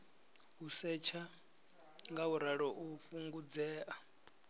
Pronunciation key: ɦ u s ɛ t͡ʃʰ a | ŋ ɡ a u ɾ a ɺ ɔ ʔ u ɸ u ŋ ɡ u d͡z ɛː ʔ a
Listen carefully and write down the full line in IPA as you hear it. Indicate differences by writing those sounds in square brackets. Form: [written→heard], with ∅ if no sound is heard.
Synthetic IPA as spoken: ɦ u s ɛ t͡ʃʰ a | ŋ ɡ a u ɾ a ɺ ɔ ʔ u ɸ u ŋ ɡ u d͡z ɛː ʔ a